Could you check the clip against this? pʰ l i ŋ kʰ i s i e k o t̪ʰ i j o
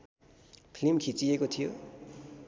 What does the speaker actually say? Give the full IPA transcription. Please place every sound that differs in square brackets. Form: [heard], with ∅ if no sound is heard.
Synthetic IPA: pʰ l i [m] kʰ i [t͡s] i e k o t̪ʰ i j o